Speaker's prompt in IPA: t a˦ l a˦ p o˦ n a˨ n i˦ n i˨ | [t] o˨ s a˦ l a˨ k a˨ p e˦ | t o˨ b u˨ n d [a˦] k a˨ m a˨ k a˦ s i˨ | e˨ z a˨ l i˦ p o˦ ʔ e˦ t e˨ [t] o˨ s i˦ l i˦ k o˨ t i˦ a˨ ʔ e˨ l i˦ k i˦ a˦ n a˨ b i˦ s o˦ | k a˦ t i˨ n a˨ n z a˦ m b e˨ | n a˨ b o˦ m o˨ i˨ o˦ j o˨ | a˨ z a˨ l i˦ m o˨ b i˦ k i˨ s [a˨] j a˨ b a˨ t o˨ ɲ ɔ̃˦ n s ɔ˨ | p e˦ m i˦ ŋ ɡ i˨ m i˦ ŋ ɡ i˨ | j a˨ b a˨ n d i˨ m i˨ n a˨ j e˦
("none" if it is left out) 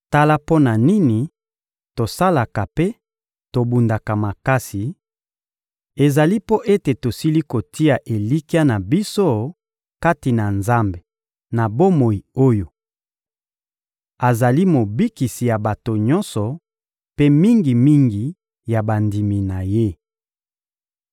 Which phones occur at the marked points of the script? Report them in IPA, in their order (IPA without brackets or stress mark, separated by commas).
t, a˨, t, i˨